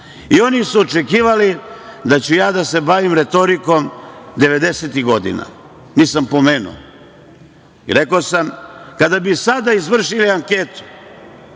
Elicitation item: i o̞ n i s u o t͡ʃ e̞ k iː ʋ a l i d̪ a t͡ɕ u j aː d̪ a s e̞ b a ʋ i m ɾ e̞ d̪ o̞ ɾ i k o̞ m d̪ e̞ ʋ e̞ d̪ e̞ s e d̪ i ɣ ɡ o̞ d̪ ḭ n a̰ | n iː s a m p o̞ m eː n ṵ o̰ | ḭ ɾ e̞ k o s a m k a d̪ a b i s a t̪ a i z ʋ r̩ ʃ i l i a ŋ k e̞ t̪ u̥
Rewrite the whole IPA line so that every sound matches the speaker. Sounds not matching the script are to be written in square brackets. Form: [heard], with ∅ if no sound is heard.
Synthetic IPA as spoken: i o̞ n i s u o t͡ʃ e̞ k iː ʋ a l i d̪ a t͡ɕ u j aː d̪ a s e̞ b a ʋ i m ɾ e̞ [t̪] o̞ ɾ i k o̞ m d̪ e̞ ʋ e̞ d̪ e̞ s e [t̪] i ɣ ɡ o̞ d̪ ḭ n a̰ | n iː s a m p o̞ m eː n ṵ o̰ | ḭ ɾ e̞ k o s a m k a d̪ a b i s a [d̪] a i z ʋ r̩ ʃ i l i a ŋ k e̞ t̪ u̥